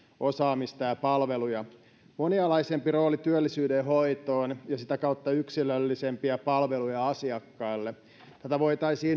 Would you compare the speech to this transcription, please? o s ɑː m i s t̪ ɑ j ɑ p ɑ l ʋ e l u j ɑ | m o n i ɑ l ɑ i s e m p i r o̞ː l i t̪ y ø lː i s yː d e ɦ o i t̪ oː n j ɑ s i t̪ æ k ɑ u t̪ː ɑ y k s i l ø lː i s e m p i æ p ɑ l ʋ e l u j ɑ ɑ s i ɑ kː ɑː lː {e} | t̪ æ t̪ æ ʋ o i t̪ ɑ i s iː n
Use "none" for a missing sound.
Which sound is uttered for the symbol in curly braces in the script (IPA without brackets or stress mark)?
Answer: e